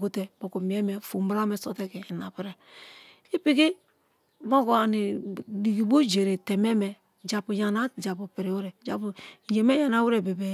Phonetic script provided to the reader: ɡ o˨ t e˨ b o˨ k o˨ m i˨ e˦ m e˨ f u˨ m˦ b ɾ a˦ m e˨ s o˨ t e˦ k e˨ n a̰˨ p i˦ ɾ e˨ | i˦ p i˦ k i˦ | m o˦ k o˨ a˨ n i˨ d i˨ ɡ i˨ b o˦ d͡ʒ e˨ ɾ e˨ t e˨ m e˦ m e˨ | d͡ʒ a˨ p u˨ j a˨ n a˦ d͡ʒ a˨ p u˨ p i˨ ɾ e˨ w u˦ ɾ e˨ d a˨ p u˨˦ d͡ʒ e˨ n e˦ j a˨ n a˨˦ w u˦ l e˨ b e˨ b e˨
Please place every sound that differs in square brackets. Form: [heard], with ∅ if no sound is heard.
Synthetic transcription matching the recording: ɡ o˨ t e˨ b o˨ k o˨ m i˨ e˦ m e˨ f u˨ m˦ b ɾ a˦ m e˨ s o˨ t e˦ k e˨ n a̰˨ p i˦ ɾ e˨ | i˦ p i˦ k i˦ | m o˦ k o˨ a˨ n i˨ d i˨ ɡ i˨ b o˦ d͡ʒ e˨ ɾ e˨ t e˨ m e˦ m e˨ | d͡ʒ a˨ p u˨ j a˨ n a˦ d͡ʒ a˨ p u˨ p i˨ ɾ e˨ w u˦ ɾ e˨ [d͡ʒ] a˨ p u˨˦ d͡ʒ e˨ [m] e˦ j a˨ n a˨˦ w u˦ [ɾ] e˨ b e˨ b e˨